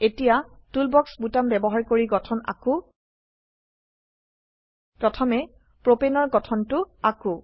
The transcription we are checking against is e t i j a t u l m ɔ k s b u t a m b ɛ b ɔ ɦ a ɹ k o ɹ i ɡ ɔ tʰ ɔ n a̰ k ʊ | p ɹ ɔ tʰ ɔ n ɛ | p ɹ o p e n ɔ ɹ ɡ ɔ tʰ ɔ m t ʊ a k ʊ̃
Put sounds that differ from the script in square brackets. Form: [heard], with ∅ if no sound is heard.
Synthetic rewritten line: e t i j a t u l [b] ɔ k s b u t a m b ɛ b ɔ ɦ a ɹ k o ɹ i ɡ ɔ tʰ ɔ n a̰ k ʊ | p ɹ ɔ tʰ ɔ [m] ɛ | p ɹ o p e n ɔ ɹ ɡ ɔ tʰ ɔ [n] t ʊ a k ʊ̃